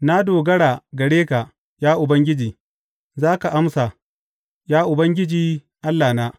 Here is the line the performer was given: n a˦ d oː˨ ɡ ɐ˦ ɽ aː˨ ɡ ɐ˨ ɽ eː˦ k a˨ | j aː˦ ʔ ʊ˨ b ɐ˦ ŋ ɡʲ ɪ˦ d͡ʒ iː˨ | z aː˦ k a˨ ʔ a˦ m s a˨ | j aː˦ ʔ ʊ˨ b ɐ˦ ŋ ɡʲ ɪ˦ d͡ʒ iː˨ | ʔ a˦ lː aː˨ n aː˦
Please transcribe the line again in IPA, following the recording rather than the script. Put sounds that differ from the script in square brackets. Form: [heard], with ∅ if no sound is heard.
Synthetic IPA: n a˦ d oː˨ ɡ ɐ˦ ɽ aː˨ ɡ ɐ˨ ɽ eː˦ k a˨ | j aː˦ ʔ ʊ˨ b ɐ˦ ŋ ɡʲ ɪ˦ d͡ʒ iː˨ | z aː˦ k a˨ ʔ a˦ m s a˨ | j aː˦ ʔ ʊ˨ b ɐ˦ ŋ ɡʲ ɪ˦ d͡ʒ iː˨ | ʔ a˦ lː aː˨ n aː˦

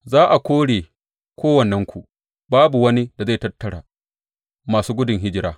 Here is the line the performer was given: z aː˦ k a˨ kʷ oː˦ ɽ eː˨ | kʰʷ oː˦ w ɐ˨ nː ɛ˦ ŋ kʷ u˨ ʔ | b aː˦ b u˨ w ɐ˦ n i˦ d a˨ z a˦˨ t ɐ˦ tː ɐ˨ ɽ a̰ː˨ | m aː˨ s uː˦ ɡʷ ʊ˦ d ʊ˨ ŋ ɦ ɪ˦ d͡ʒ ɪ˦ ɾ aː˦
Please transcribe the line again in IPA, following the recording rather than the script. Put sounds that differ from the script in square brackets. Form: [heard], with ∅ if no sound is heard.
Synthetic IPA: z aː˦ [ʔ] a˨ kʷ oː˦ ɽ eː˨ | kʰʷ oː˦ w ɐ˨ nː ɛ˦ ŋ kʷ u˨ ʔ | b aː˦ b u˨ w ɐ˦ n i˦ d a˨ z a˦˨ t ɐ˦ tː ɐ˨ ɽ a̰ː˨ | m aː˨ s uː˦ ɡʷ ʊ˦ d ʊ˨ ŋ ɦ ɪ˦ d͡ʒ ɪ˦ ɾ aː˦

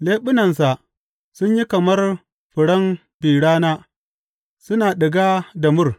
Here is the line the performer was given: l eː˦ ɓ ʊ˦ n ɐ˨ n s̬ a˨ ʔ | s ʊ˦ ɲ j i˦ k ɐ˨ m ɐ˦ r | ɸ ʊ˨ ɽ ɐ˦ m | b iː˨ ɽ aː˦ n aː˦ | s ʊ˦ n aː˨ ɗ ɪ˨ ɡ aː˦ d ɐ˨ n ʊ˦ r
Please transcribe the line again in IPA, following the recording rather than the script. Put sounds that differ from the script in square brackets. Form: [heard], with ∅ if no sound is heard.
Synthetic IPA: l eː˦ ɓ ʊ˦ n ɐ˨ n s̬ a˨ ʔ | s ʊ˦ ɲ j i˦ k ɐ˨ m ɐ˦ r | ɸ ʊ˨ ɽ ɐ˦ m | b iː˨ ɽ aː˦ n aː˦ | s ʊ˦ n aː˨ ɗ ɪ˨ ɡ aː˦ d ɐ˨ [m] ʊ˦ r

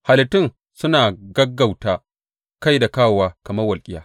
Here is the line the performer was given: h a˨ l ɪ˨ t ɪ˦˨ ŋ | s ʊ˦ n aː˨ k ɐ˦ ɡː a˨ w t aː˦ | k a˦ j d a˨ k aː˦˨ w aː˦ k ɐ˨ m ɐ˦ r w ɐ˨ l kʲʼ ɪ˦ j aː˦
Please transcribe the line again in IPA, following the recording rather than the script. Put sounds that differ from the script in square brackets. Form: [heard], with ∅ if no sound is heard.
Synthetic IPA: h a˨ l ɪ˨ t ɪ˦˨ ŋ | s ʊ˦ n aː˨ [ɡ] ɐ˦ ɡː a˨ w t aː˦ | k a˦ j d a˨ k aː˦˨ w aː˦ k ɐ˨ m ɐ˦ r w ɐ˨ l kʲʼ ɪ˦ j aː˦

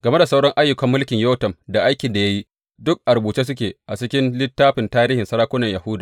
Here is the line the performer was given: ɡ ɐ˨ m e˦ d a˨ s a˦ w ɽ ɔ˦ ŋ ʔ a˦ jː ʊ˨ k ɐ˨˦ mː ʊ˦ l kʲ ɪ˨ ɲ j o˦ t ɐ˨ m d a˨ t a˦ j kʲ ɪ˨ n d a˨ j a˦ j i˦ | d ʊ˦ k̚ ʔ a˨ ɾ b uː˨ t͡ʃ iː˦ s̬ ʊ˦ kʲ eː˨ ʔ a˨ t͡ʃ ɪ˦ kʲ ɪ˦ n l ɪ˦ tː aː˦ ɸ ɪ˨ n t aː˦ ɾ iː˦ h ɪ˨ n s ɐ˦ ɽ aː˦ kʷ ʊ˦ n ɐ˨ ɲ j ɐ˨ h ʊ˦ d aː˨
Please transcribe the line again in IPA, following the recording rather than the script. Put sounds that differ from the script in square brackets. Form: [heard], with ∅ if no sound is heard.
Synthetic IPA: ɡ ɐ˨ m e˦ d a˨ s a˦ w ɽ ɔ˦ ŋ ʔ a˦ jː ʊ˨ k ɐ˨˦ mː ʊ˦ l kʲ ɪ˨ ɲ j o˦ t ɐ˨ m d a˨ [ʔ] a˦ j kʲ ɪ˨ n d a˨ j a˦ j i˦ | d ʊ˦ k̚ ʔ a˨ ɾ b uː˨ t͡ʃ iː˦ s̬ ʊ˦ kʲ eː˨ ʔ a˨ t͡ʃ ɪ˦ kʲ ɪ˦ n l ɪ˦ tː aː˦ ɸ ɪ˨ n t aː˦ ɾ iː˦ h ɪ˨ n s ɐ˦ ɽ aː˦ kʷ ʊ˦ n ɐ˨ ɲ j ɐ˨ h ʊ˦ d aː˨

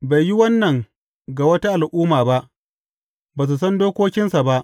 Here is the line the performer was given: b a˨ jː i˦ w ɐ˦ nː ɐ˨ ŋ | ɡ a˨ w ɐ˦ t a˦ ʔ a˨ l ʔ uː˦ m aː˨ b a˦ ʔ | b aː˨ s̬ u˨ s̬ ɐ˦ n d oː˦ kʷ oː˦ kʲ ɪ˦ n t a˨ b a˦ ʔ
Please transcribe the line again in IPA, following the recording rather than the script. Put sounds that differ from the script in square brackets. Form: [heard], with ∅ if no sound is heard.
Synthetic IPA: b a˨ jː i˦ w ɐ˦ nː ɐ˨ ŋ | ɡ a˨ w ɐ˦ t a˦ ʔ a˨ l ʔ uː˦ m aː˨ b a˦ ʔ | b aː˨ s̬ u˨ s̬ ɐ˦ n d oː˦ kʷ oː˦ kʲ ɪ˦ n [s] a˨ b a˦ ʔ

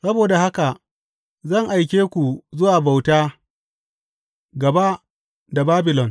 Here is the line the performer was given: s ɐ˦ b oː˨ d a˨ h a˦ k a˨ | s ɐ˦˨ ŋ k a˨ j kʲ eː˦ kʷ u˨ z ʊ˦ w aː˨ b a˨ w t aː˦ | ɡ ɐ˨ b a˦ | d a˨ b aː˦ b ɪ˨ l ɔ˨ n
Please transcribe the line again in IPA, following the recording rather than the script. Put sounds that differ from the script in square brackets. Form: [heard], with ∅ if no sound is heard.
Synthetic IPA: s ɐ˦ b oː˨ d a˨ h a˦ k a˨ | [z] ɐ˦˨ ŋ [ʔ] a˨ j kʲ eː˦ kʷ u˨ z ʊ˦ w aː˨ b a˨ w t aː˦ | ɡ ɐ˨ b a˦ | d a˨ b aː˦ b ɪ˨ l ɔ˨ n

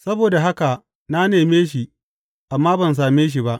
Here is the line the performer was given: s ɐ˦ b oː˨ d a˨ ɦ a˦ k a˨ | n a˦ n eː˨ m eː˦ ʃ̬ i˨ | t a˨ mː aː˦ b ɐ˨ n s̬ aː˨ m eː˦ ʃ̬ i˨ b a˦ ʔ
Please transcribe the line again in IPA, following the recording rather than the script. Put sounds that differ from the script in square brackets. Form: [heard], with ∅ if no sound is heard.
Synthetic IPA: s ɐ˦ b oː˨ d a˨ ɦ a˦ k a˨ | n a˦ n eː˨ m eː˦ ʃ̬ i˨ | [ʔ] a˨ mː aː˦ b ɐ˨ n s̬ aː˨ m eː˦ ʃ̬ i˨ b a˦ ʔ

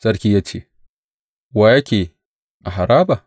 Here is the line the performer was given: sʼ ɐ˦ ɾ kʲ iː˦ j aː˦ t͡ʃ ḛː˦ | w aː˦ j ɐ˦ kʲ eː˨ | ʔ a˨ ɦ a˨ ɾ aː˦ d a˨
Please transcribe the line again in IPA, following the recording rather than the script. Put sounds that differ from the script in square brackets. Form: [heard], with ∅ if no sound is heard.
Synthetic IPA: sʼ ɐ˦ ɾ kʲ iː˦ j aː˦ t͡ʃ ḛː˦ | w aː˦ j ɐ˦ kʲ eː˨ | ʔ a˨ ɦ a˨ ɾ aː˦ [b] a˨

